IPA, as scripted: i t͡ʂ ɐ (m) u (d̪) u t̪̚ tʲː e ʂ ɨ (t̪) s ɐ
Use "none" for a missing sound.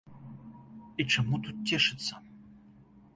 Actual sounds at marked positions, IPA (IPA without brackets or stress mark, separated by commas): m, t̪, t̪